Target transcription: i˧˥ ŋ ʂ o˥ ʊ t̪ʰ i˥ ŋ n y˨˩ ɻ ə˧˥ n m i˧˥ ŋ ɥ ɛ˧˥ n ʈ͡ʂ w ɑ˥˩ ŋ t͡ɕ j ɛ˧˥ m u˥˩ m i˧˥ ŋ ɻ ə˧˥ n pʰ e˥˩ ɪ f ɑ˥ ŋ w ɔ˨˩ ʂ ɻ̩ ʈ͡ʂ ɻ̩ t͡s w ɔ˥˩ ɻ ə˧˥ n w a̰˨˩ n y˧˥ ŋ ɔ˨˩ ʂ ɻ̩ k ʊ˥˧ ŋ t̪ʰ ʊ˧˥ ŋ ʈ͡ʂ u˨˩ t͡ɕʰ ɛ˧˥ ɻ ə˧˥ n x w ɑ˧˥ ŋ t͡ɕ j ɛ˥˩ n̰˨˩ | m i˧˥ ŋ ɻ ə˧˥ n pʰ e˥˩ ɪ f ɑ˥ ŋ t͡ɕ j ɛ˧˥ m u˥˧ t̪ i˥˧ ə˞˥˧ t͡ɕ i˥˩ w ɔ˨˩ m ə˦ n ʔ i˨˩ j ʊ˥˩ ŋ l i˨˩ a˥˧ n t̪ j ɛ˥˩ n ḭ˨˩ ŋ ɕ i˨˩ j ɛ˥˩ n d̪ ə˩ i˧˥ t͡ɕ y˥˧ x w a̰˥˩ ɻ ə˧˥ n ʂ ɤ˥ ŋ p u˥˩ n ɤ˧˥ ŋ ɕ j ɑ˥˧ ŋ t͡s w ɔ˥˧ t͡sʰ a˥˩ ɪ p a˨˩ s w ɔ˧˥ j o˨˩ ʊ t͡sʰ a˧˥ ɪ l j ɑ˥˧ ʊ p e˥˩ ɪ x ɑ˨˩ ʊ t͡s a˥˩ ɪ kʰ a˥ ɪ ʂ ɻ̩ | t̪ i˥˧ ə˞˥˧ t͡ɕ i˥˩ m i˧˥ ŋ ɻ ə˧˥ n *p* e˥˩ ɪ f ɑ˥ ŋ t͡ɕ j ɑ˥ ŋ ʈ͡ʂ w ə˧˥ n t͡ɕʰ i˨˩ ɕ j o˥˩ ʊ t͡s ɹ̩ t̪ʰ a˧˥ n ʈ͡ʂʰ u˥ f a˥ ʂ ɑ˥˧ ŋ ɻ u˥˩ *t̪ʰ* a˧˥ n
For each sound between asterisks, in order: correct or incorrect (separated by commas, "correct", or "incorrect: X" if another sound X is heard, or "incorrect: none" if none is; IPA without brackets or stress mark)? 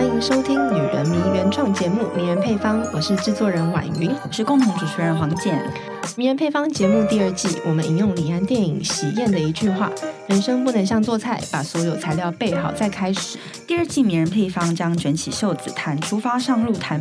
incorrect: pʰ, correct